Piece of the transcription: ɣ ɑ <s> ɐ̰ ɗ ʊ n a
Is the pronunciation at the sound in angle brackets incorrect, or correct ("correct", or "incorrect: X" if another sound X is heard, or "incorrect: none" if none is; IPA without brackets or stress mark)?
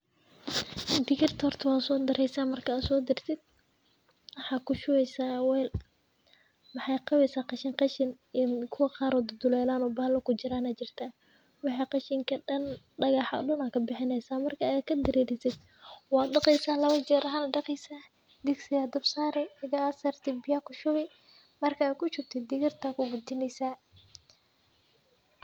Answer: incorrect: ħ